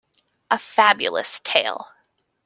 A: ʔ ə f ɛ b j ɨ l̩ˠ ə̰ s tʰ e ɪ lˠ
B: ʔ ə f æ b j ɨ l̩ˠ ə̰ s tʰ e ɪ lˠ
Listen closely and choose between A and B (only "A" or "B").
B